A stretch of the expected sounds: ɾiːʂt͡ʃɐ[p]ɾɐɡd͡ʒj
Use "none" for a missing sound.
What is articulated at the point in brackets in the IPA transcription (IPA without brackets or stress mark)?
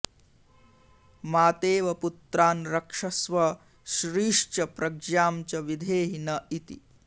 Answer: p